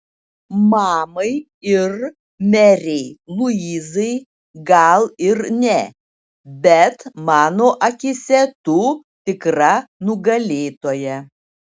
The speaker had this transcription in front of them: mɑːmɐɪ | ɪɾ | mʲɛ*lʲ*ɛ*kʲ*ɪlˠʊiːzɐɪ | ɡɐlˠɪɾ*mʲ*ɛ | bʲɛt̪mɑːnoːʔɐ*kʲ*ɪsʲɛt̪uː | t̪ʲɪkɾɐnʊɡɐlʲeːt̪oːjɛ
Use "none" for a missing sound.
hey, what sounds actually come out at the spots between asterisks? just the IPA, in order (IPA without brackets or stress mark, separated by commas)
ɾʲ, none, nʲ, kʲ